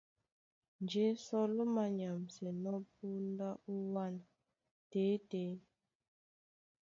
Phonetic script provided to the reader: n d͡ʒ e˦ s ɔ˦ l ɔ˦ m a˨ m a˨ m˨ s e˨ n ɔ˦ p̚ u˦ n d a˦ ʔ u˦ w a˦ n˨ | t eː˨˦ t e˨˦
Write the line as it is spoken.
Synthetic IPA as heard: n d͡ʒ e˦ s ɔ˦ l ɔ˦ m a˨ ɲ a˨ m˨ s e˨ n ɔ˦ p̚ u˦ n d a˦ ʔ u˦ w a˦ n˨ | t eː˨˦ t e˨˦